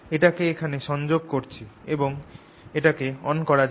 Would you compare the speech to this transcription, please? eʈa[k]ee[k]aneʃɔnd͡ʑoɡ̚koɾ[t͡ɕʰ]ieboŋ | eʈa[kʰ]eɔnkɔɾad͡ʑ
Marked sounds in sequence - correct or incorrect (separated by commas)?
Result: correct, incorrect, correct, incorrect